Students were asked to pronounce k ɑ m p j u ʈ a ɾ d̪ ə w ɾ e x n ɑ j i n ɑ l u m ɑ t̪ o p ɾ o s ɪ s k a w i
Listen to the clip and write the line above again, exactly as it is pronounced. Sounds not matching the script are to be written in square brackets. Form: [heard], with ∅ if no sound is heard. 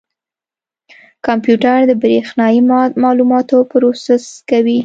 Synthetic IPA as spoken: k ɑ m p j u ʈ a ɾ d̪ ə [b] ɾ e x n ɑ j i [m] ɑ l u m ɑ t̪ o p ɾ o s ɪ s k a w i